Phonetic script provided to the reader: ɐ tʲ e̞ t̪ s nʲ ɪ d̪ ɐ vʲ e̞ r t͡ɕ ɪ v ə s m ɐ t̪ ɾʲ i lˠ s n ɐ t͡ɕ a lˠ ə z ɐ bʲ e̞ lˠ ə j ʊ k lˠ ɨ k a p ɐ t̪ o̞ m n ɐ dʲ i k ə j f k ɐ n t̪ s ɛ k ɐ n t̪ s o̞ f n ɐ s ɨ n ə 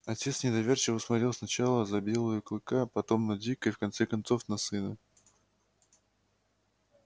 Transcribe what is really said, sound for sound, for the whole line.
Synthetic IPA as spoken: ɐ tʲ e̞ t̪ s nʲ ɪ d̪ ɐ vʲ e̞ r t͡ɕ ɪ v ə s m ɐ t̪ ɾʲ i lˠ s n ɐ t͡ɕ a lˠ ə z ɐ bʲ e̞ lˠ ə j ʊ k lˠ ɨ k a p ɐ t̪ o̞ m n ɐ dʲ i k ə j f k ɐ n t̪ s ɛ k ɐ n t̪ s o̞ f n ɐ s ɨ n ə